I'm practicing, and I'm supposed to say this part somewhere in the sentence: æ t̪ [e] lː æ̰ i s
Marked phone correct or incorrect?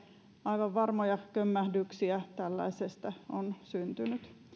incorrect: æ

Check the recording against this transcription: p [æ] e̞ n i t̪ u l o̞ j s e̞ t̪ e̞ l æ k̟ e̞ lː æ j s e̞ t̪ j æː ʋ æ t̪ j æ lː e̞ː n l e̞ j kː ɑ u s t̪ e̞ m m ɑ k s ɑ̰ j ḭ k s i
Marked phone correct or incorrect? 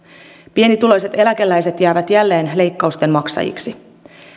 incorrect: i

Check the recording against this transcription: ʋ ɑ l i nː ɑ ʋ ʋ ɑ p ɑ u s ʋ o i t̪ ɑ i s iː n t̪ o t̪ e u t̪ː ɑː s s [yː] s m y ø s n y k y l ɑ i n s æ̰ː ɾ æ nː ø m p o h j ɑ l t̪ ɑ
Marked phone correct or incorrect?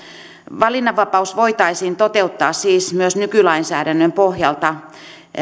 incorrect: iː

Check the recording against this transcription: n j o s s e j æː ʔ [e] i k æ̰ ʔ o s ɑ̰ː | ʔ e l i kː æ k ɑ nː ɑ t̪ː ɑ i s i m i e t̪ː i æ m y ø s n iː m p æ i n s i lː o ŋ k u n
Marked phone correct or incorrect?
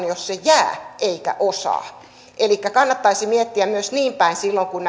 correct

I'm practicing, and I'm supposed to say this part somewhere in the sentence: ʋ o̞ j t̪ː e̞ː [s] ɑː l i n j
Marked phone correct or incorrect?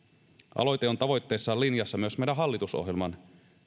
incorrect: sː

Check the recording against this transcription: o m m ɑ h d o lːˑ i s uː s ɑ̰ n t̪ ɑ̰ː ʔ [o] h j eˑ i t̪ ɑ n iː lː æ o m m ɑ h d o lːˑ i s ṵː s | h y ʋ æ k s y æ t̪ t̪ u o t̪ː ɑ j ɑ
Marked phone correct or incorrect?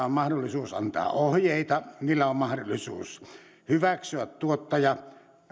correct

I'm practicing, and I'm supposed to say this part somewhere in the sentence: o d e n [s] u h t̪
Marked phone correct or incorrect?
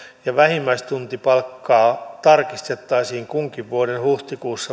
incorrect: h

